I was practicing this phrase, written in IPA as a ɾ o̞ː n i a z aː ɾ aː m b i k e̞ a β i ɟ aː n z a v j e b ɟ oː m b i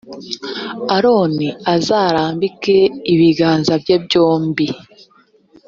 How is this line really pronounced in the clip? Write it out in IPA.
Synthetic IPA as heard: a ɾ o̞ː n i a z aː ɾ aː m b i k e̞ i β i ɡ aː n z a b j e b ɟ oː m b i